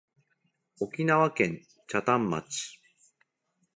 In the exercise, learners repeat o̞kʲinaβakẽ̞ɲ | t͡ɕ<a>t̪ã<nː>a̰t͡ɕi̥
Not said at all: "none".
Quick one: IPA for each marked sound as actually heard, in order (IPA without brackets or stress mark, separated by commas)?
a, mː